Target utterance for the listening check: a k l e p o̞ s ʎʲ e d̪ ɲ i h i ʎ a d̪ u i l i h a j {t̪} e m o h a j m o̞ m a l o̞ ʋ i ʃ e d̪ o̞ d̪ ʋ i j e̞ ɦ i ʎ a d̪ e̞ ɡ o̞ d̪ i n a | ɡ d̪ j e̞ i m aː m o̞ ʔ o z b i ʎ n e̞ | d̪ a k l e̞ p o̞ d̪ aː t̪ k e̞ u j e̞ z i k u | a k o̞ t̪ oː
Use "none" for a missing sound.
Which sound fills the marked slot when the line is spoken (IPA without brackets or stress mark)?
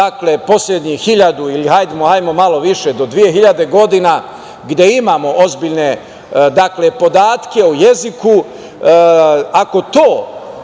d̪